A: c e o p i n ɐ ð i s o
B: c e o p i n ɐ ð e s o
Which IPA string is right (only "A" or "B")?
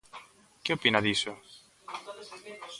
A